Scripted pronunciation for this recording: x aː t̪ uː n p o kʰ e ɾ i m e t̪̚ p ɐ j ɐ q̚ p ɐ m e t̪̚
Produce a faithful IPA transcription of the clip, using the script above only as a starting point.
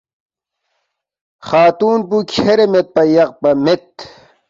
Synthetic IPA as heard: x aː t̪ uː n p u kʰ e ɾ e m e t̪̚ p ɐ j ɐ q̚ p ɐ m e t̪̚